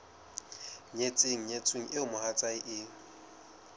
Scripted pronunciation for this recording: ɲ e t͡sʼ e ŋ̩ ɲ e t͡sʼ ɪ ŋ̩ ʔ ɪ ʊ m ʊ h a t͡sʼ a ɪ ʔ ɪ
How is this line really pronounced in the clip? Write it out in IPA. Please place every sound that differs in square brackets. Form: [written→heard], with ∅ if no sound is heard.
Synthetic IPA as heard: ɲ e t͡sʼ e ŋ̩ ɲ e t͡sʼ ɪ ŋ̩ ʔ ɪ ʊ m ʊ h a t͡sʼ a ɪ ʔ ɪ